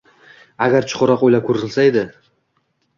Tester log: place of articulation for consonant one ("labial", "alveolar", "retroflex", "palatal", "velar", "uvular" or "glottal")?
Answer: velar